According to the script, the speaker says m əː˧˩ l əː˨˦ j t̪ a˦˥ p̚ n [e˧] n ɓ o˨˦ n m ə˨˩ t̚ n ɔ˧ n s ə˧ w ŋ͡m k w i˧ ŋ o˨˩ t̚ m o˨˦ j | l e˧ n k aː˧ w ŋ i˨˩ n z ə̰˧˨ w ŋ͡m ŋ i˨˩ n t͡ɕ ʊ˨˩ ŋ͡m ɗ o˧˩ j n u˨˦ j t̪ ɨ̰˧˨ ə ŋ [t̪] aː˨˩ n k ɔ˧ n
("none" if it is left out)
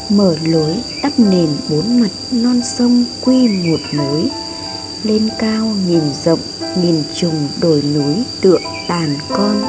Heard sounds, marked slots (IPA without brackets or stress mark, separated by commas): e˨˩, t̪